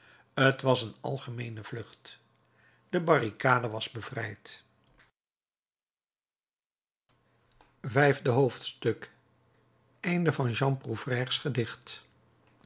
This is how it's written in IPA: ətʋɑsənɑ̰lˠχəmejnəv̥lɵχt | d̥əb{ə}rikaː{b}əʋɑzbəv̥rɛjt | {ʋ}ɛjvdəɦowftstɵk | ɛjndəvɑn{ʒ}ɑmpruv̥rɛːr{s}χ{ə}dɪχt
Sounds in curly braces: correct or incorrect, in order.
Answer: incorrect: ɑ, incorrect: d, incorrect: v, correct, correct, correct

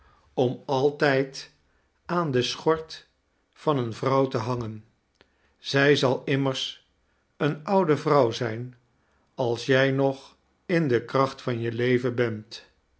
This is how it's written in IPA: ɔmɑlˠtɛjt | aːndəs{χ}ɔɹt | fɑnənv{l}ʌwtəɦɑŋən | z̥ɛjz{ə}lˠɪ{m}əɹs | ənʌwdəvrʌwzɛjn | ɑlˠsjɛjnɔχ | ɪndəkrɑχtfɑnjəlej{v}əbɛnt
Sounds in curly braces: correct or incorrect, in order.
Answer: correct, incorrect: r, incorrect: ɑ, correct, correct

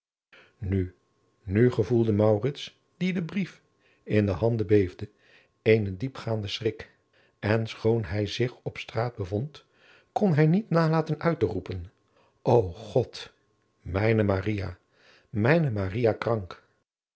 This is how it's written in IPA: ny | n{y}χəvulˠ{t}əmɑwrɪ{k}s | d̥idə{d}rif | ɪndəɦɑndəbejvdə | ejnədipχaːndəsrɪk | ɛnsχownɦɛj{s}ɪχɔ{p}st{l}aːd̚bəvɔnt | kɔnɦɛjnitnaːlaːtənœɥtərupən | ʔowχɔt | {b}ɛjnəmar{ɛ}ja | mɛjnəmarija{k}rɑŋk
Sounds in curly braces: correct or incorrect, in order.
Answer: correct, incorrect: d, incorrect: t, incorrect: b, incorrect: z, correct, incorrect: r, incorrect: m, incorrect: i, correct

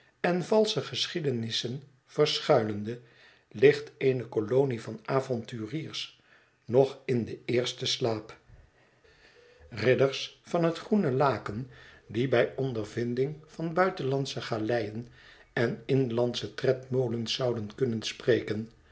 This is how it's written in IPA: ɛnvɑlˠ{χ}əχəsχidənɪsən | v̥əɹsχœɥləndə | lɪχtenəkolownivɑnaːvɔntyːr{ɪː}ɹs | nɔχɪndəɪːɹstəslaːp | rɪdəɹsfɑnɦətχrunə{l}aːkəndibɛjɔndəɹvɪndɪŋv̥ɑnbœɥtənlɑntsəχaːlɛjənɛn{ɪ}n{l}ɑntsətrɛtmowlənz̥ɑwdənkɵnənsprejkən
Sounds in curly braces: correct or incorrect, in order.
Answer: incorrect: s, incorrect: iː, correct, correct, correct

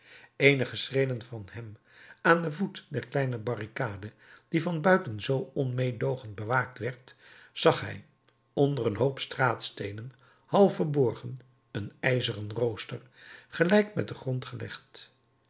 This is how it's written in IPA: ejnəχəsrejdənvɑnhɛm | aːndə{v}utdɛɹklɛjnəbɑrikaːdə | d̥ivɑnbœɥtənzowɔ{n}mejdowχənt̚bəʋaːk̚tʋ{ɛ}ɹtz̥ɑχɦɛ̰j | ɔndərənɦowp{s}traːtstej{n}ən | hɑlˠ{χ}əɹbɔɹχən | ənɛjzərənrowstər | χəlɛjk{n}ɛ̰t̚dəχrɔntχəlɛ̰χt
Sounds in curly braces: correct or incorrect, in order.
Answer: correct, correct, correct, correct, correct, incorrect: f, incorrect: m

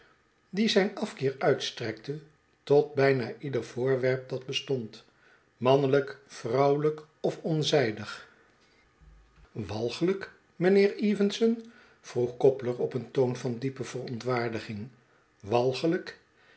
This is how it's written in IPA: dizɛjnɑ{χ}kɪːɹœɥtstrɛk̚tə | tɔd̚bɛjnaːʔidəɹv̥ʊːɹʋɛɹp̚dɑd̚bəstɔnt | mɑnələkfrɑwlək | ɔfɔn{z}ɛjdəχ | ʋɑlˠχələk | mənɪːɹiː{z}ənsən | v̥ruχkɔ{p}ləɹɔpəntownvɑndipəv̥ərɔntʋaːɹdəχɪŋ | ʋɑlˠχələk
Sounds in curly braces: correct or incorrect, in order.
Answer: incorrect: f, correct, incorrect: v, correct

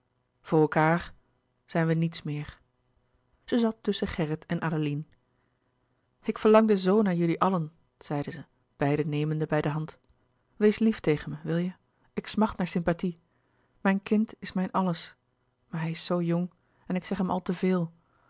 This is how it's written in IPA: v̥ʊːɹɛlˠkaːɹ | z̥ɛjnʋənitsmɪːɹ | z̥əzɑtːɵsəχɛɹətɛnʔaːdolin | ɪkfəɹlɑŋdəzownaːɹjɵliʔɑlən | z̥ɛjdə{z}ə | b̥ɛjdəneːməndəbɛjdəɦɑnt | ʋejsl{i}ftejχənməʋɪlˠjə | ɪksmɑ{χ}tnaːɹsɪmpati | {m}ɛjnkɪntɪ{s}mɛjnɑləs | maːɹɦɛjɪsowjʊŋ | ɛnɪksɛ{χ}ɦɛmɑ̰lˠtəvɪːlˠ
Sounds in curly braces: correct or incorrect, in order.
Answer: correct, correct, correct, correct, correct, correct

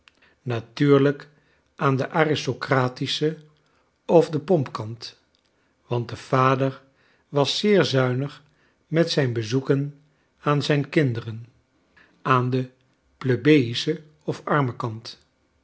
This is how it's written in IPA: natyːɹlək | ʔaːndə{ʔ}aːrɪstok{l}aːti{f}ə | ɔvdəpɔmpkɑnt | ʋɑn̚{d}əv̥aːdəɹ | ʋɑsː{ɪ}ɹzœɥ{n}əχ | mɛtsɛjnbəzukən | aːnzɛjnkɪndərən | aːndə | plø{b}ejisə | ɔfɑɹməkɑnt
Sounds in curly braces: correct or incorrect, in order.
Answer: correct, incorrect: r, incorrect: s, correct, incorrect: ɪː, correct, correct

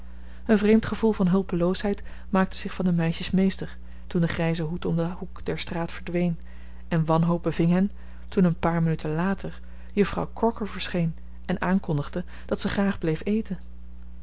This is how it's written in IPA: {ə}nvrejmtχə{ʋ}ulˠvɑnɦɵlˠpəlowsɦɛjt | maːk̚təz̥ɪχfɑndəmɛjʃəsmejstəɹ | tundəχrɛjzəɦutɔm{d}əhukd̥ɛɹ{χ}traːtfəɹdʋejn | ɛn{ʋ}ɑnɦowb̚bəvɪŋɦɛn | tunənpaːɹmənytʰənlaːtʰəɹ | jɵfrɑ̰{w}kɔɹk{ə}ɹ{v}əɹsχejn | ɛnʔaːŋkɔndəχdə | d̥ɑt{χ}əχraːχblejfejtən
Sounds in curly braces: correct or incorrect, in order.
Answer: correct, incorrect: v, correct, incorrect: s, correct, correct, correct, correct, incorrect: s

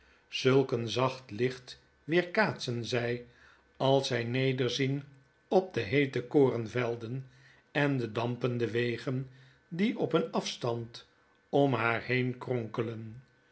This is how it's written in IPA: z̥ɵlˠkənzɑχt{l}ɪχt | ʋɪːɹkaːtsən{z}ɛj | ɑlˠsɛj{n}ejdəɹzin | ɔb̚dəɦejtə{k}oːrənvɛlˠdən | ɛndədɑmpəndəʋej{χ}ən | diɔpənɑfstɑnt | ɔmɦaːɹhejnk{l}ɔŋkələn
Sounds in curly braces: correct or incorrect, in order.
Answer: correct, correct, correct, correct, correct, incorrect: r

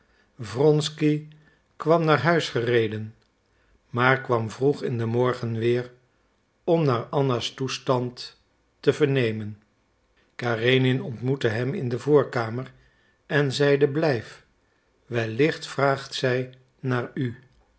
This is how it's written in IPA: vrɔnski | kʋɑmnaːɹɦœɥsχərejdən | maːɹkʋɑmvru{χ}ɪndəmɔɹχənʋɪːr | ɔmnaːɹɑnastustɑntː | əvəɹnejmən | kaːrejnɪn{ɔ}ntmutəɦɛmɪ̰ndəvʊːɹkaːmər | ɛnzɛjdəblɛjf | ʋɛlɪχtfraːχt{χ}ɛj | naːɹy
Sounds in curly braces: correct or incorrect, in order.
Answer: correct, correct, incorrect: s

